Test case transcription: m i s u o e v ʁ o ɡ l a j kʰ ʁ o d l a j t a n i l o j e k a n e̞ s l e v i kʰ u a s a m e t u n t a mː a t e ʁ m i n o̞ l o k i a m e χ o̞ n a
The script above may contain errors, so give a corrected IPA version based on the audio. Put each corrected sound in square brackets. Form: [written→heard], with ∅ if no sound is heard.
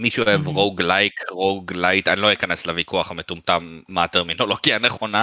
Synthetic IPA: m i [s→ʃ] u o e v ʁ o ɡ l a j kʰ ʁ o [d→ɡ] l a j t a n i l o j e k a n e̞ s l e v i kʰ u a [s→χ] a m e t u [n→m] t a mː a t e ʁ m i n o̞ l o [k→ɡ] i a [m→n] e χ o̞ n a